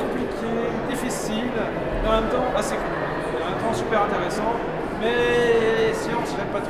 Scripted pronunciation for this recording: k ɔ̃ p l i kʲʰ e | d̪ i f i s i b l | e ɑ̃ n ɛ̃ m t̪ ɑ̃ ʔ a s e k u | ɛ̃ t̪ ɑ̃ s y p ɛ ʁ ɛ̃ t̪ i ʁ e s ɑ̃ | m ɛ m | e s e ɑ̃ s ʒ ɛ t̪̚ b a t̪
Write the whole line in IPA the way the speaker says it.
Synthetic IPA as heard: k ɔ̃ p l i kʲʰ e | d̪ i f i s i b l | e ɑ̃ m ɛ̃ m t̪ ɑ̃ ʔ a s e k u | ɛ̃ t̪ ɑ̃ s y p ɛ ʁ ɛ̃ t̪ e ʁ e s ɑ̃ | m ɛ | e s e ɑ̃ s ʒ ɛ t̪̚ p a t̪